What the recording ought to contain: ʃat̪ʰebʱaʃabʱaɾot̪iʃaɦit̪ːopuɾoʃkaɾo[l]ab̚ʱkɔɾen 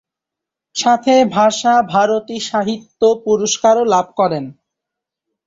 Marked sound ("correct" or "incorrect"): correct